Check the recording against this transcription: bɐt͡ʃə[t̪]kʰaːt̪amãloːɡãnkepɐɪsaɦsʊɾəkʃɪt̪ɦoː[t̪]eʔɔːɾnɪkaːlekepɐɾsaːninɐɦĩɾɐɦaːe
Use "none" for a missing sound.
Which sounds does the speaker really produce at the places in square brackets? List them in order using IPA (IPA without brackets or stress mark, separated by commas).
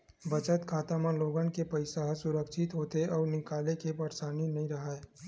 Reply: t̪, t̪